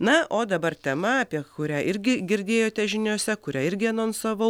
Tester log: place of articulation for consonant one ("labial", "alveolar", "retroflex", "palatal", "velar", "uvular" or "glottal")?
alveolar